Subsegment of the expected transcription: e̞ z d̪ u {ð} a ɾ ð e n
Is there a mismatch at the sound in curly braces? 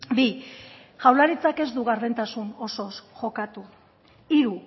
yes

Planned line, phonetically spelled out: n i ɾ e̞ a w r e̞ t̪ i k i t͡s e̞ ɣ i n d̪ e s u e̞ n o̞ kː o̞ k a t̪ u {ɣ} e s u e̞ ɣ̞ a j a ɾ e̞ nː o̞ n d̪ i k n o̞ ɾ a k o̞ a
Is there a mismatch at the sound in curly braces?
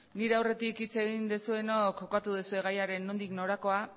yes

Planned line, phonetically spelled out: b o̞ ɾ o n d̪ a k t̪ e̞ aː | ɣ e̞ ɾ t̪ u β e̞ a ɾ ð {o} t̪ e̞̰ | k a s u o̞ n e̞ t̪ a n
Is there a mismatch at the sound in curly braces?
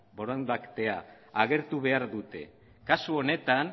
yes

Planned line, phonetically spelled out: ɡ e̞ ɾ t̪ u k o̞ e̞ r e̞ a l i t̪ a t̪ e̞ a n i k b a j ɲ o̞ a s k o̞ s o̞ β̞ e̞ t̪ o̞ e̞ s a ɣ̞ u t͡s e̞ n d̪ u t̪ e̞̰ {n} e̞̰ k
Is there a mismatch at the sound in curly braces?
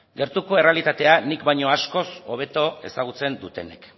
no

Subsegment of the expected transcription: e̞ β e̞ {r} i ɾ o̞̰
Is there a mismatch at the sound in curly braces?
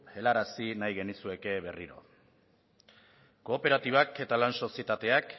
no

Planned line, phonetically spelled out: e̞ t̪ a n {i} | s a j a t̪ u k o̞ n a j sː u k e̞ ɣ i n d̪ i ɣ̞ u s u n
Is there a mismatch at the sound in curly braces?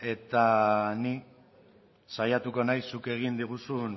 no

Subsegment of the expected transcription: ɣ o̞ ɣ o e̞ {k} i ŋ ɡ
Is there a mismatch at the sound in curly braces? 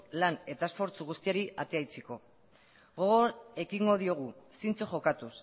no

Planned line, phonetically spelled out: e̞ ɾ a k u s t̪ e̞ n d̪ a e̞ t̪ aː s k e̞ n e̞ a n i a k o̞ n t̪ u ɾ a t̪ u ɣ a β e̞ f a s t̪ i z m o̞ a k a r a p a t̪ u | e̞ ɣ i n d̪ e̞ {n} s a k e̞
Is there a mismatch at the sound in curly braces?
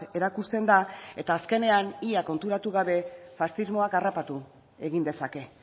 yes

